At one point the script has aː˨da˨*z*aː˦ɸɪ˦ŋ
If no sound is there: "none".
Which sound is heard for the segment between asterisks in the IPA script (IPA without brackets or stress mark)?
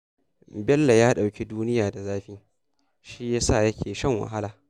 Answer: z